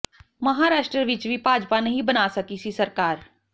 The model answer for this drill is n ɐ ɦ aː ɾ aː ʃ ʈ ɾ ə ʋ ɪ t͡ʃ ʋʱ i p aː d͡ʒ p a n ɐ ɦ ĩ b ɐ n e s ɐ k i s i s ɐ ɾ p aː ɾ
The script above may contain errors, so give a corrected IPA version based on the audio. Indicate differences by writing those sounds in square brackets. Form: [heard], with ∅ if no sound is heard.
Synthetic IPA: [m] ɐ ɦ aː ɾ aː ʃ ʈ ɾ ə ʋ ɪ t͡ʃ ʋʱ i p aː d͡ʒ p a n ɐ ɦ ĩ b ɐ n [a] s ɐ k i s i s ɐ ɾ [k] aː ɾ